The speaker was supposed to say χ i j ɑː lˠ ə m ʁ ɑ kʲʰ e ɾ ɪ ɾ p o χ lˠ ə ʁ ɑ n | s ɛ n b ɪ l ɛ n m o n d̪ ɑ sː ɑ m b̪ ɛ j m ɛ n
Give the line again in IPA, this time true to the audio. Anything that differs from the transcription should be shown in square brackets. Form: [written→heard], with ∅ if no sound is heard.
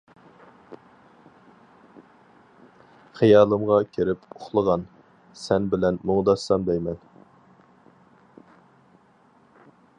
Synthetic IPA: χ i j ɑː lˠ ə m ʁ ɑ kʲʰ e ɾ ɪ [ɾ→∅] p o χ lˠ ə ʁ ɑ n | s ɛ n b ɪ l ɛ n m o [n→ŋ] d̪ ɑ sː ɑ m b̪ ɛ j m ɛ n